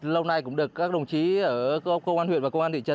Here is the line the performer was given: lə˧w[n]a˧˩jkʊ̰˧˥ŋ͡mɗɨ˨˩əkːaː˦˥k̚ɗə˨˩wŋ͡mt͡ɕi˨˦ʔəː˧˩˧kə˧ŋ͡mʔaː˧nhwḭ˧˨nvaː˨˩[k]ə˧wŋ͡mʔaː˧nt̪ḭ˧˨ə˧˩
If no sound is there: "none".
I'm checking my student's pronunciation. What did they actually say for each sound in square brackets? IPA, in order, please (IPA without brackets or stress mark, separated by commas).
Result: n, k